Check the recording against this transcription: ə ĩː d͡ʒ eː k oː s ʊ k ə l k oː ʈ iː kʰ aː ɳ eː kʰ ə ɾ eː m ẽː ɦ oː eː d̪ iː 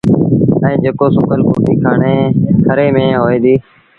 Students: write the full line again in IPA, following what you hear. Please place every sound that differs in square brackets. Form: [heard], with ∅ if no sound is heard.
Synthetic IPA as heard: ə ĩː d͡ʒ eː k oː s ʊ k ə l k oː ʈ iː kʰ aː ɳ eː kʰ ə ɾ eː m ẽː ɦ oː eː d̪ iː